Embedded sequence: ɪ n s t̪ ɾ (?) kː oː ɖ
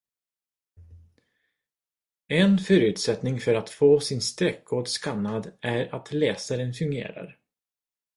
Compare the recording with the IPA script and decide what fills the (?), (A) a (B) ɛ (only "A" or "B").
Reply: B